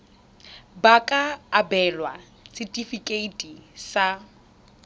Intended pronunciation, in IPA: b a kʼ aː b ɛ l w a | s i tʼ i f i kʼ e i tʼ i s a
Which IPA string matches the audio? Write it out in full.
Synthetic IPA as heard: b a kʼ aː b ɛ l w a | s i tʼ i f i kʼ e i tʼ i s a